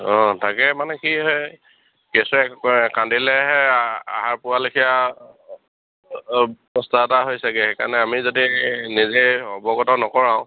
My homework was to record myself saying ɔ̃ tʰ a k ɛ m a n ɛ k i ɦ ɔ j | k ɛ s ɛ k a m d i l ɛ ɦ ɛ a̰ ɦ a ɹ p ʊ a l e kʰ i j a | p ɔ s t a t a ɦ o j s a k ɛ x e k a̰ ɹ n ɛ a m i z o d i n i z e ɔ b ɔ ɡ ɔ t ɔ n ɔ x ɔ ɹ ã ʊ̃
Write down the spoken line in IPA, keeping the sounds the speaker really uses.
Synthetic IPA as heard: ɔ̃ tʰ a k ɛ m a n ɛ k i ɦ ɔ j | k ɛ s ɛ k a n d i l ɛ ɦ ɛ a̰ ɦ a ɹ p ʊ a l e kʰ i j a | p ɔ s t a t a ɦ o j s a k ɛ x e k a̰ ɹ n ɛ a m i z o d i n i z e ɔ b ɔ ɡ ɔ t ɔ n ɔ k ɔ ɹ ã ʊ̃